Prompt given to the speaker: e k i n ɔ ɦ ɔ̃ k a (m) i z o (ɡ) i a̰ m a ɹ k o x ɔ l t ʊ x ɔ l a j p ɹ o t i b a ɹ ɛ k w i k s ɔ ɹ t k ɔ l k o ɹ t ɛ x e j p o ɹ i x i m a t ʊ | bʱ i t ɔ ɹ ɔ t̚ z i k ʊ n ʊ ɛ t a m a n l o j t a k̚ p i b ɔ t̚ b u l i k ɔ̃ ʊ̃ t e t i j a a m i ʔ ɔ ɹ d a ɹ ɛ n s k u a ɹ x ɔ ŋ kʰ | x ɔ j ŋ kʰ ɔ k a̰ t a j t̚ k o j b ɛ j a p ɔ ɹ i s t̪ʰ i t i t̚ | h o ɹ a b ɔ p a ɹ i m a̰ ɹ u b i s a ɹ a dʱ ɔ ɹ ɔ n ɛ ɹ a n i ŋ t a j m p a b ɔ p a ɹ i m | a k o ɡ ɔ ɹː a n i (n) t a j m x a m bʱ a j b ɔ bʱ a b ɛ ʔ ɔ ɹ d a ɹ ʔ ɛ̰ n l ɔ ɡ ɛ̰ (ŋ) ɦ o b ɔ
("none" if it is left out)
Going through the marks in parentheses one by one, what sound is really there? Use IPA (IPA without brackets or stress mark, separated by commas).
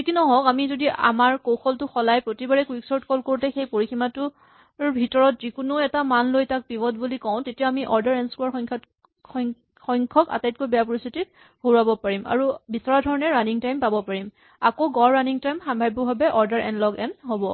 m, d, ŋ, n